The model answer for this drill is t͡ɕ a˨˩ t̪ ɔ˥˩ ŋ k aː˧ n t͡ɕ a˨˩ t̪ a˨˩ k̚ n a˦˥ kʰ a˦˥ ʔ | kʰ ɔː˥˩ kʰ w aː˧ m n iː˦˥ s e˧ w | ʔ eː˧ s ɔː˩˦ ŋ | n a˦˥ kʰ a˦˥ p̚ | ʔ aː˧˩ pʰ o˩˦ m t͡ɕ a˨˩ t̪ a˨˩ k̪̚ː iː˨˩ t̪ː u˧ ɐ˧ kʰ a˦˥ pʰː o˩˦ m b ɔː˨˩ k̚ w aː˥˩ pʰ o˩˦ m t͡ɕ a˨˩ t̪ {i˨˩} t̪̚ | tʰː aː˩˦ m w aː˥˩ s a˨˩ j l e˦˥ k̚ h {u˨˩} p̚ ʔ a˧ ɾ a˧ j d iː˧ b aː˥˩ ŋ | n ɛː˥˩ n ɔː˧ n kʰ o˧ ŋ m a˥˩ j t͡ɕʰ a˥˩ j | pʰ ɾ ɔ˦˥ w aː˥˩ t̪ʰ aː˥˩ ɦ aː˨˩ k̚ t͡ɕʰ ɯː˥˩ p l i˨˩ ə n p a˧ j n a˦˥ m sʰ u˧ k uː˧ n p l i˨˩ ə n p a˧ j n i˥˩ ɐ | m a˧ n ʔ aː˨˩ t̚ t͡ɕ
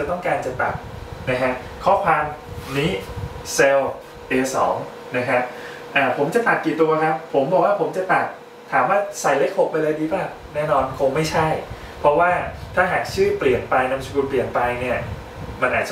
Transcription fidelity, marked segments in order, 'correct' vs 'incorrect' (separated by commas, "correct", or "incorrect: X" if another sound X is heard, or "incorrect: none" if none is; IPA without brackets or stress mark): incorrect: a˨˩, incorrect: o˨˩